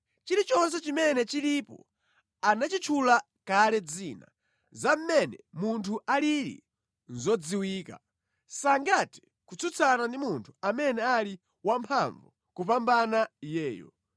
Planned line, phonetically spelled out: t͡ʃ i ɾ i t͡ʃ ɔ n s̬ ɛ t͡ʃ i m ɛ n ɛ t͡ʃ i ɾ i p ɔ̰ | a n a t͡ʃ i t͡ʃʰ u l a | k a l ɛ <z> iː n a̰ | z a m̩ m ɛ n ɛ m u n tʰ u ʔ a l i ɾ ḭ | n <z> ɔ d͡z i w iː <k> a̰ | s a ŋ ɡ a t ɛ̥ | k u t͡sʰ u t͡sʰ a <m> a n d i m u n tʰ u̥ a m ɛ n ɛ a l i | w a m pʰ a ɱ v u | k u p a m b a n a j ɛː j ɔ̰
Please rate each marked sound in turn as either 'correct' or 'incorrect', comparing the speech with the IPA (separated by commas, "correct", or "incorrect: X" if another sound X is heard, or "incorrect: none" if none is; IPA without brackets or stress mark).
incorrect: d͡z, correct, correct, incorrect: n